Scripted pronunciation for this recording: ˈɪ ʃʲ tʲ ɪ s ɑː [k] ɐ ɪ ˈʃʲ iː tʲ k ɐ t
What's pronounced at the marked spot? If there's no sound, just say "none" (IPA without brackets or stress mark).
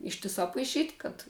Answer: p